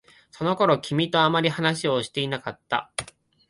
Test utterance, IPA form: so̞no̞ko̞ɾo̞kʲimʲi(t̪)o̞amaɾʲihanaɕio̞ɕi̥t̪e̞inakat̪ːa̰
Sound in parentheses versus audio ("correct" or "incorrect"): correct